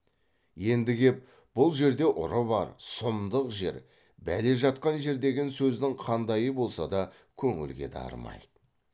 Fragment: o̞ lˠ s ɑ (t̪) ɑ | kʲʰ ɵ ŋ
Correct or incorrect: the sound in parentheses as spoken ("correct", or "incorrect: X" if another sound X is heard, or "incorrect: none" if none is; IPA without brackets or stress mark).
incorrect: d̪